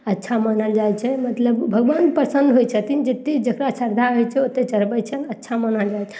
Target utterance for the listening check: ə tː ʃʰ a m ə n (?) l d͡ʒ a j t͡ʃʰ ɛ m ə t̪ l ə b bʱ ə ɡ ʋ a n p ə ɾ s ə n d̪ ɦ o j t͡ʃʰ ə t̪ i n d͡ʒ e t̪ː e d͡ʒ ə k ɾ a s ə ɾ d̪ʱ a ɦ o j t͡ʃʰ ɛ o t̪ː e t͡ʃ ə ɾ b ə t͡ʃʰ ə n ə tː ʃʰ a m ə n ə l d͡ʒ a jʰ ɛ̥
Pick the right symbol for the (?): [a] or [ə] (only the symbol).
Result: ə